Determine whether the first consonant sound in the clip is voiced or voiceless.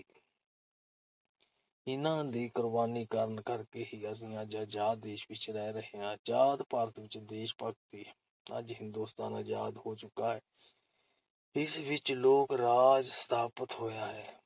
voiced